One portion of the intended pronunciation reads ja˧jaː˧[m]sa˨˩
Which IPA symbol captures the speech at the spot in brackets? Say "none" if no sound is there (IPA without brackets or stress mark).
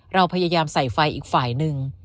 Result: m